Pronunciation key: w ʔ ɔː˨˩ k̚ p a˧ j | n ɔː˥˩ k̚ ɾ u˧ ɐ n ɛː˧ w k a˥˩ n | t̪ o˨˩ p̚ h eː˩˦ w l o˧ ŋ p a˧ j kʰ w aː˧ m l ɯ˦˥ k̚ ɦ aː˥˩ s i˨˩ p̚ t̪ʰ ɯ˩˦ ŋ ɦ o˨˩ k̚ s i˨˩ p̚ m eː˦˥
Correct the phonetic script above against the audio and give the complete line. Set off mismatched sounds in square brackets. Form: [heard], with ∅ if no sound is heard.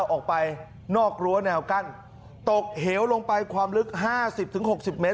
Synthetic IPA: w ʔ ɔː˨˩ k̚ p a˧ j | n ɔː˥˩ k̚ ɾ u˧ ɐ n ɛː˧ w k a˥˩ n | t̪ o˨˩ [k̚] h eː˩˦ w l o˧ ŋ p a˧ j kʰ w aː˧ m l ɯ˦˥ k̚ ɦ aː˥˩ s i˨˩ p̚ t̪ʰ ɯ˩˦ ŋ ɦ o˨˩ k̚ s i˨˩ p̚ m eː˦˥